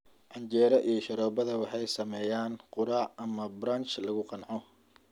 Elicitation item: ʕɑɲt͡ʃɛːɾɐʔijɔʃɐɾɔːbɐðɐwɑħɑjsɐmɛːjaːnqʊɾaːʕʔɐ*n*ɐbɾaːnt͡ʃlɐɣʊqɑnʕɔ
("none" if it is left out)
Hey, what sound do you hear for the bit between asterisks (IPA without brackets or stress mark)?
m